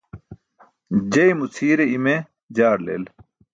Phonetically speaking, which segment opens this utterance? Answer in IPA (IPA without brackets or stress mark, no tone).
d͡ʑ